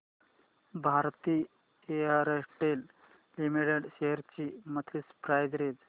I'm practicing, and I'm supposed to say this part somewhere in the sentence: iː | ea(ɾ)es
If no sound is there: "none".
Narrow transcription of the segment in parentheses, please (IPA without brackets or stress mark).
ɾ